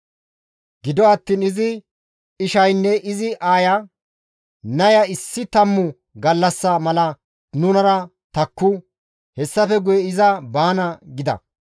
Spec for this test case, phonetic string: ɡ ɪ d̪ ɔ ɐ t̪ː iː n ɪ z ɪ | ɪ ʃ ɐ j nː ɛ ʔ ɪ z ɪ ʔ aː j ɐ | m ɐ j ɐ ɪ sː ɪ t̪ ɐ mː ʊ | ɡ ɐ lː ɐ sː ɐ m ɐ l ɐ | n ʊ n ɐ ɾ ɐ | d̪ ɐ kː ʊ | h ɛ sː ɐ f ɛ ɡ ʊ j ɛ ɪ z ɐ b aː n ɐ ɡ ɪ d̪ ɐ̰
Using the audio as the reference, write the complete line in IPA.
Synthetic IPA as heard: ɡ ɪ d̪ ɔ ɐ t̪ː iː n ɪ z ɪ | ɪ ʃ ɐ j nː ɛ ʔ ɪ z ɪ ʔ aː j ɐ | n ɐ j ɐ ɪ sː ɪ t̪ ɐ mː ʊ | ɡ ɐ lː ɐ sː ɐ m ɐ l ɐ | n ʊ n ɐ ɾ ɐ | t̪ ɐ kː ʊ | h ɛ sː ɐ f ɛ ɡ ʊ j ɛ ɪ z ɐ b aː n ɐ ɡ ɪ d̪ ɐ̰